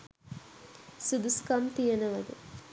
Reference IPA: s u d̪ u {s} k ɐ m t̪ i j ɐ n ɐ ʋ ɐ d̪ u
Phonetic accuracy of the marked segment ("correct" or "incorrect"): correct